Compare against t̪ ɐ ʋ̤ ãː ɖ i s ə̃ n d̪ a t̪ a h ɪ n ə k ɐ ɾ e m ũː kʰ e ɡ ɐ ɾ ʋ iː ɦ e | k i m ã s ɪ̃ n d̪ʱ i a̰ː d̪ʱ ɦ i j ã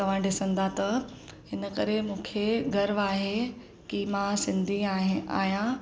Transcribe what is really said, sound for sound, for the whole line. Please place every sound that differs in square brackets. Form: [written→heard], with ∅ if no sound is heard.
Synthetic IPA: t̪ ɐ ʋ̤ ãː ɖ [i→ɪ] s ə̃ n d̪ a t̪ [a→ɐ] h ɪ n ə k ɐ ɾ e m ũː kʰ e ɡ ɐ ɾ ʋ [iː→aː] ɦ e | k i m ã s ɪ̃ n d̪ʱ i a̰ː [d̪ʱ→∅] ɦ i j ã